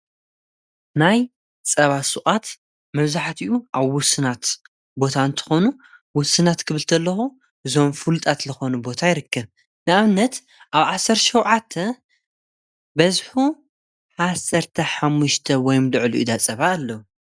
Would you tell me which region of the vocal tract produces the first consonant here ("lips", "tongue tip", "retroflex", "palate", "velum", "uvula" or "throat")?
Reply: tongue tip